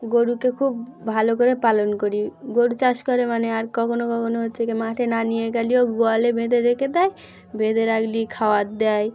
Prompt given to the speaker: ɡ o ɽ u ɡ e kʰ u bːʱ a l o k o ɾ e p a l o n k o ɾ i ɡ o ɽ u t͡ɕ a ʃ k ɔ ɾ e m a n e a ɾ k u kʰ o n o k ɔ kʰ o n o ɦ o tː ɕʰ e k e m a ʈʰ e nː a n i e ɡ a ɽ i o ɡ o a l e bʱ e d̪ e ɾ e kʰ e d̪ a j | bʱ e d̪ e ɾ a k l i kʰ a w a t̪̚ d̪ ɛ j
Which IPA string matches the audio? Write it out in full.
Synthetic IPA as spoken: ɡ o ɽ u k e kʰ u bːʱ a l o k o ɾ e p a l o n k o ɾ i ɡ o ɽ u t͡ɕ a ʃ k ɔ ɾ e m a n e a ɾ k ɔ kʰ o n o k ɔ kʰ o n o ɦ o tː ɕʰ e k e m a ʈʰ e n a n i e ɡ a l i o ɡ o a l e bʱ e d̪ e ɾ e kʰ e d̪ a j | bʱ e d̪ e ɾ a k l i kʰ a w a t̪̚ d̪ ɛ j